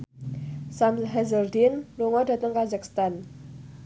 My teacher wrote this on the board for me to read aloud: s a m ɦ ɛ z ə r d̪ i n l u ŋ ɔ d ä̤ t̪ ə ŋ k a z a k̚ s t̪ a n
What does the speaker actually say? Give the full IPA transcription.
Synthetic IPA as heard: s a m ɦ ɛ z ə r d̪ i n l u ŋ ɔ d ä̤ t̪ ə ŋ k a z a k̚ s t̪ a n